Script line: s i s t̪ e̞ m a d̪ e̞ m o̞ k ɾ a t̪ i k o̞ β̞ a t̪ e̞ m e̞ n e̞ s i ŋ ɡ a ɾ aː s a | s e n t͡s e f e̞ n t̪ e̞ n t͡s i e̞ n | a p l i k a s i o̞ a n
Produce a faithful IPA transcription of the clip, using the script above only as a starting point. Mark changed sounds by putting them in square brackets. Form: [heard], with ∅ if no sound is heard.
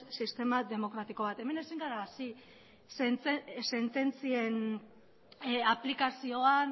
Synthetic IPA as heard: s i s t̪ e̞ m a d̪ e̞ m o̞ k ɾ a t̪ i k o̞ β̞ a t̪ e̞ m e̞ n e̞ s i ŋ ɡ a ɾ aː s [i] | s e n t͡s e [s] e̞ n t̪ e̞ n t͡s i e̞ n | a p l i k a s i o̞ a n

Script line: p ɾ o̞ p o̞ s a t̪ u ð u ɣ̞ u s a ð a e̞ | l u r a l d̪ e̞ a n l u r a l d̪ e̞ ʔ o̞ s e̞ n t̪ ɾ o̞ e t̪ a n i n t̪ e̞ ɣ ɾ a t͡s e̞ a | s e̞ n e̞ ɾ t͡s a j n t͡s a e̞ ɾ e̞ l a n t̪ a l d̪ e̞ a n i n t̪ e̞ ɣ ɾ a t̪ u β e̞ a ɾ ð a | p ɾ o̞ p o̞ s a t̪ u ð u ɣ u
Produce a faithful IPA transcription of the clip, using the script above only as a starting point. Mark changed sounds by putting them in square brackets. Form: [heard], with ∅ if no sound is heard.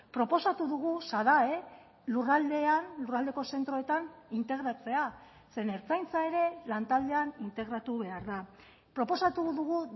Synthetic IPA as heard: p ɾ o̞ p o̞ s a t̪ u ð u ɣ̞ u s a ð a e̞ | l u r a l d̪ e̞ a n l u r a l d̪ e̞ [k] o̞ s e̞ n t̪ ɾ o̞ e t̪ a n i n t̪ e̞ ɣ ɾ a t͡s e̞ a | s e̞ n e̞ ɾ t͡s a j n t͡s a e̞ ɾ e̞ l a n t̪ a l d̪ e̞ a n i n t̪ e̞ ɣ ɾ a t̪ u β e̞ a ɾ ð a | p ɾ o̞ p o̞ s a t̪ u ð u ɣ u

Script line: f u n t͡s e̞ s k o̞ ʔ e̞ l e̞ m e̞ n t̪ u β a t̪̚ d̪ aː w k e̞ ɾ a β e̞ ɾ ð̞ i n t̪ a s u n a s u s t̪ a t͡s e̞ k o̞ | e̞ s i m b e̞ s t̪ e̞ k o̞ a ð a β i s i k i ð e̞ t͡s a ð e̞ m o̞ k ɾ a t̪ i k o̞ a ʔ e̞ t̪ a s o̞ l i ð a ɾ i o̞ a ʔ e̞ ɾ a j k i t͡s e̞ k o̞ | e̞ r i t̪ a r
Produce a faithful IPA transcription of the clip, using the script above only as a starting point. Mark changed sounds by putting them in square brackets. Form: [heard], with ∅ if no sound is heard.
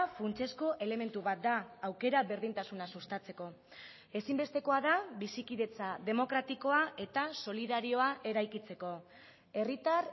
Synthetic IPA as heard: f u n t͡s e̞ s k o̞ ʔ e̞ l e̞ m e̞ n t̪ u β a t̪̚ d̪ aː w k e̞ ɾ a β e̞ ɾ ð̞ i n t̪ a s u n a s u s t̪ a t͡s e̞ k o̞ | e̞ s i m b e̞ s t̪ e̞ k o̞ a ð a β i s i k i ð e̞ t͡s a ð e̞ m o̞ k ɾ a t̪ i k o̞ a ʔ e̞ t̪ a s o̞ l i ð a ɾ i o̞ a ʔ e̞ ɾ a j k i t͡s e̞ k o̞ | e̞ r i t̪ a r

